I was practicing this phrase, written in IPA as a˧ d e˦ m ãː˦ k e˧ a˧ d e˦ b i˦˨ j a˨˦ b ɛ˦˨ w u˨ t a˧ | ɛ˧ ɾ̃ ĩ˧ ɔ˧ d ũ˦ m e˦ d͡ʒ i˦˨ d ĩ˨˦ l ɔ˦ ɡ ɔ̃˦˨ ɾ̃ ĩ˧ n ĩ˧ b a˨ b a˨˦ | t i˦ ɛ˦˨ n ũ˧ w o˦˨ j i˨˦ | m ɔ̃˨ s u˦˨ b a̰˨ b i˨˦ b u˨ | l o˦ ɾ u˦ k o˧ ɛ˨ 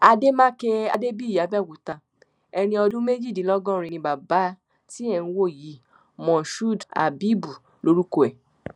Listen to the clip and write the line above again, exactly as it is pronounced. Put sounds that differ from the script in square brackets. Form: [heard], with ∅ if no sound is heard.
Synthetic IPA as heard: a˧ d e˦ m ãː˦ k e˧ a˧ d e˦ b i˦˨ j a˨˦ b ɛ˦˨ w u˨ t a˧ | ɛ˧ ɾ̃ ĩ˧ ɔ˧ d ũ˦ m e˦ d͡ʒ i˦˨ d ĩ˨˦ l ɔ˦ ɡ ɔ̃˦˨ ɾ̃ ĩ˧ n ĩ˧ b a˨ b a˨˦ | t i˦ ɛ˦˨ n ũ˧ w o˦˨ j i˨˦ | m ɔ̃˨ [ʃ] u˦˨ [d] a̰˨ b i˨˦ b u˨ | l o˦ ɾ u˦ k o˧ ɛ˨

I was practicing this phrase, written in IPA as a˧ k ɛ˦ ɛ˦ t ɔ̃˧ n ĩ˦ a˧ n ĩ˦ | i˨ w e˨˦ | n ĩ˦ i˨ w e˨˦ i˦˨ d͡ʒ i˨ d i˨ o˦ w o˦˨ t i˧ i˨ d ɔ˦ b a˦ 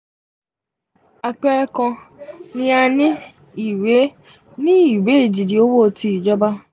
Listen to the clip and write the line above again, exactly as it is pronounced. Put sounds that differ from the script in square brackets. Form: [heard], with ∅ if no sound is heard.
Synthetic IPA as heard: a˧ [k͡p] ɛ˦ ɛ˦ [k] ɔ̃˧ n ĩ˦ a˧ n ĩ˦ | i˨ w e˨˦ | n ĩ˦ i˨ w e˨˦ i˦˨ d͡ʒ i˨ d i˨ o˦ w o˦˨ t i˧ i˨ [d͡ʒ] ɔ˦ b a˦

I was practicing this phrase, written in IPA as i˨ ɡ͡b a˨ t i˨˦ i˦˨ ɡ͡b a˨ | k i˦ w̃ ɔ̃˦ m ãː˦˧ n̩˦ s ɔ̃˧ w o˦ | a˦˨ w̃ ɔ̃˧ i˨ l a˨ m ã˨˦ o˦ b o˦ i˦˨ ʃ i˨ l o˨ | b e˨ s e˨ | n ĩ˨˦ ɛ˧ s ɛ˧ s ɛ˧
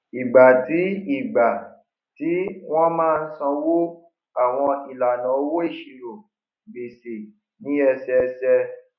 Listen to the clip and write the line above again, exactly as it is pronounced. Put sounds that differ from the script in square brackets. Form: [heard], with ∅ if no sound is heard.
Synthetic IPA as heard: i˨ ɡ͡b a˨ t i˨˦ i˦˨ ɡ͡b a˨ | [t] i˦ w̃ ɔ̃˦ m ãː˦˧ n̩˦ s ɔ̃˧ w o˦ | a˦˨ w̃ ɔ̃˧ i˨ l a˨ [n] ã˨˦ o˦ [w] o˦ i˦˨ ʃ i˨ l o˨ | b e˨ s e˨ | n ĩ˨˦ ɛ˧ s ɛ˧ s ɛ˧

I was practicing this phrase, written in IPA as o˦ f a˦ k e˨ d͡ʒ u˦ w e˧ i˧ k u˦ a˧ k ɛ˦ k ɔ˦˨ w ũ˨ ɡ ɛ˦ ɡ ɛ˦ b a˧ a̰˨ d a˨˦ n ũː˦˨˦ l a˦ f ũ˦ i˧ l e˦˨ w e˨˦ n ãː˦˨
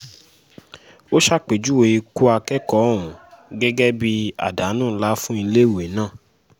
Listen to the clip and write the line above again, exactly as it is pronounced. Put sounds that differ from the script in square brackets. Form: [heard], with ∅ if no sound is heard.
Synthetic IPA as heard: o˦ [ʃ] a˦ [k͡p] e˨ d͡ʒ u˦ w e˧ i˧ k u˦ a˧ k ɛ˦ k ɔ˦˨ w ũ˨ ɡ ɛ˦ ɡ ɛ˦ b [i˧] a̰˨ d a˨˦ n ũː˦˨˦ l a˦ f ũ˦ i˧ l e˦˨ w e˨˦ n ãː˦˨

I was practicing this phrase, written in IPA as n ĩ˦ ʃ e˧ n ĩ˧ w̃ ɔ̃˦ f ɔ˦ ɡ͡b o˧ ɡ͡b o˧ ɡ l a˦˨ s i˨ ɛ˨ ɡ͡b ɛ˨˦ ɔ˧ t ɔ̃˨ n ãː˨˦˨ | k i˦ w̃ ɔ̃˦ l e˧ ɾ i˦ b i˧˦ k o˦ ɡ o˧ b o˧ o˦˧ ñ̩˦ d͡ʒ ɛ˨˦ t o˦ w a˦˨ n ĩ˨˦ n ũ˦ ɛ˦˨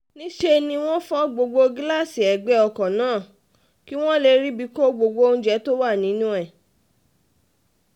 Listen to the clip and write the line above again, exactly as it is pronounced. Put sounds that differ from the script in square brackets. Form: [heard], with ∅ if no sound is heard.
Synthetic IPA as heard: n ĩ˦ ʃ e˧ n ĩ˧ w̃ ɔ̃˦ f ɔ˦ ɡ͡b o˧ ɡ͡b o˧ ɡ l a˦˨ s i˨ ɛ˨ ɡ͡b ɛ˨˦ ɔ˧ [k] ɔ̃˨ n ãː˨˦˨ | k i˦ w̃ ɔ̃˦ l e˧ ɾ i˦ b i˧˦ k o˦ [ɡ͡b] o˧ [ɡ͡b] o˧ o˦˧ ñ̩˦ d͡ʒ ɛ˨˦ t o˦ w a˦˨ n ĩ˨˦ n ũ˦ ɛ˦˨

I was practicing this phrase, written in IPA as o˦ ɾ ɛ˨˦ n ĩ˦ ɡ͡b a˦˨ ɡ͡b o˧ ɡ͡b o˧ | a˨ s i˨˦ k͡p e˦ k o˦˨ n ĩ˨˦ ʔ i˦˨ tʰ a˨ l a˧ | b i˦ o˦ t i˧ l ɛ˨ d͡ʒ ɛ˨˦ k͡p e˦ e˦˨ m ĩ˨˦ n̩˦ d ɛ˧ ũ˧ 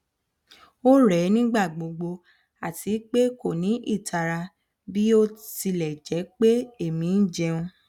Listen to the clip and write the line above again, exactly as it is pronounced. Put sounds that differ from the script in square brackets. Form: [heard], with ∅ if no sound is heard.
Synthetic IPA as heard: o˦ ɾ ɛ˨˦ n ĩ˦ ɡ͡b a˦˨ ɡ͡b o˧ ɡ͡b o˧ | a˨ [t] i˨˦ k͡p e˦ k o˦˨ n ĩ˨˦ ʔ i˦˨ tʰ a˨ [ɾ] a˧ | b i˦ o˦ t i˧ l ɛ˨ d͡ʒ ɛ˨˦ k͡p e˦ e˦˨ m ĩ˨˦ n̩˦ [d͡ʒ] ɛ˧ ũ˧

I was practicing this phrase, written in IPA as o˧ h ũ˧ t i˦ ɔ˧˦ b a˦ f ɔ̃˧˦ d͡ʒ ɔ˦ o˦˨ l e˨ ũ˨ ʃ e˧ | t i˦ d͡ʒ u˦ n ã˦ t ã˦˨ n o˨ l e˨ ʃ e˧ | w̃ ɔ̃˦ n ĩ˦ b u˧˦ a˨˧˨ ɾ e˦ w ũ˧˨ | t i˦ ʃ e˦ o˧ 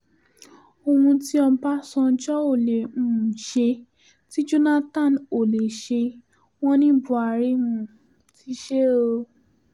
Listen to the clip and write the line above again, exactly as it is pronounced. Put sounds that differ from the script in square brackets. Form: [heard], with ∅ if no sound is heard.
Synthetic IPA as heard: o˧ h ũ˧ t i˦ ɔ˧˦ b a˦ [s] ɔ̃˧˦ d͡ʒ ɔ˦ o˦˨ l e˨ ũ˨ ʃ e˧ | t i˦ d͡ʒ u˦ n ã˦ t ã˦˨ n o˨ l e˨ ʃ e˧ | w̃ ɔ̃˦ n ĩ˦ b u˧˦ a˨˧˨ ɾ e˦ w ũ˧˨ | t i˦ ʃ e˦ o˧

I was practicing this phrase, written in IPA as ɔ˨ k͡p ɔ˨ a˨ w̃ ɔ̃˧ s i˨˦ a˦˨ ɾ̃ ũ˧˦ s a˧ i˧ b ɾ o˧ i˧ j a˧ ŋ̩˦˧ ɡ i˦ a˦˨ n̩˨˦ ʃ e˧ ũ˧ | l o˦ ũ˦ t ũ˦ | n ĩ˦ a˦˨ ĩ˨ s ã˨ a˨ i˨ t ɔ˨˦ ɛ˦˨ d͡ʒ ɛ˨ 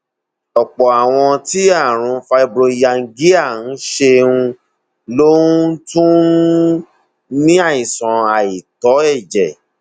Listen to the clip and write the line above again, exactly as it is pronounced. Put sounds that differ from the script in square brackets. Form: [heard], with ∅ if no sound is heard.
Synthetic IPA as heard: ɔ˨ k͡p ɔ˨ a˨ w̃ ɔ̃˧ [t] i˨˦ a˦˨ ɾ̃ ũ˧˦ [f] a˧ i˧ b ɾ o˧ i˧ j a˧ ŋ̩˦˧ ɡ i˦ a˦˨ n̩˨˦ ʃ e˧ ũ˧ | l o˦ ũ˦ t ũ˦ | n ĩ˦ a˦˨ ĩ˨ s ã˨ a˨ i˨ t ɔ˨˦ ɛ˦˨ d͡ʒ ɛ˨

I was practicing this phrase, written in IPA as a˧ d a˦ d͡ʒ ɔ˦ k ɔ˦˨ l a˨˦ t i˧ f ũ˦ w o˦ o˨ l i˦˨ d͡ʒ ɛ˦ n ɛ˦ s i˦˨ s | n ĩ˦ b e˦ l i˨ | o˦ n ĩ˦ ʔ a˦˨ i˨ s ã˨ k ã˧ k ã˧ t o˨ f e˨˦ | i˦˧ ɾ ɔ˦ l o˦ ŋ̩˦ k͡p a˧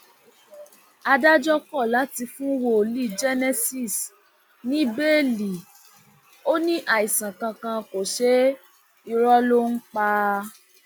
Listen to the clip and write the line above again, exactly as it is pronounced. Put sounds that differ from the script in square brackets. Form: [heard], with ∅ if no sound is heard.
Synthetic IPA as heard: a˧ d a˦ d͡ʒ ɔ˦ k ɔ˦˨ l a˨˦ t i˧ f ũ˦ w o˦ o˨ l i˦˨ d͡ʒ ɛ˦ n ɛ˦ s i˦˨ s | n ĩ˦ b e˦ l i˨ | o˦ n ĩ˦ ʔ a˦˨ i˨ s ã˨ k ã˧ k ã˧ [k] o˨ [ʃ] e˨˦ | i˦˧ ɾ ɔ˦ l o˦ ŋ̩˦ k͡p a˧

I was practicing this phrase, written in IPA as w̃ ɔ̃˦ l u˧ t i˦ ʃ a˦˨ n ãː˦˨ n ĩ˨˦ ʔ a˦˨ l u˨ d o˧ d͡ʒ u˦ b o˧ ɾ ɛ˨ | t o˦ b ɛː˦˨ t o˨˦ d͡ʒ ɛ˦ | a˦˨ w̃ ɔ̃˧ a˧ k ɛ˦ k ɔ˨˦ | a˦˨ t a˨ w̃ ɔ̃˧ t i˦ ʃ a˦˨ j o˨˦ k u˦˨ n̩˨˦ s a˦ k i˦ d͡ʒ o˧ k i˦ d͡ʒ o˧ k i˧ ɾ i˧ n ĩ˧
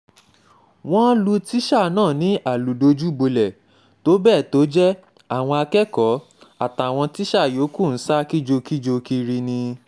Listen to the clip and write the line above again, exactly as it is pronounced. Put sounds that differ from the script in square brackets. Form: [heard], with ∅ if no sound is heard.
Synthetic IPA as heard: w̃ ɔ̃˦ l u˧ t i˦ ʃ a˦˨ n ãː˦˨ n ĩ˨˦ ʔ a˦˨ l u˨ d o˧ d͡ʒ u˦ b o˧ [l] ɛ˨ | t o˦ b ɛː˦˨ t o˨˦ d͡ʒ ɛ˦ | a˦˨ w̃ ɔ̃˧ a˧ k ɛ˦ k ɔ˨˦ | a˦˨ t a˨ w̃ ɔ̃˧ t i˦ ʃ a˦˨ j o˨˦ k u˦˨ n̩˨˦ s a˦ k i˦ d͡ʒ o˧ k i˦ d͡ʒ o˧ k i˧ ɾ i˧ n ĩ˧

